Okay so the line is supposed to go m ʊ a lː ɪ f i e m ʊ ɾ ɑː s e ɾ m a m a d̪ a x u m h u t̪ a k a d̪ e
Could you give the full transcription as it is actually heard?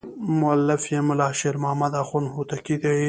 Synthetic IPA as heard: m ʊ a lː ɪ f j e m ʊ l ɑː ʃ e ɾ m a m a d̪ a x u n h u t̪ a k i d̪ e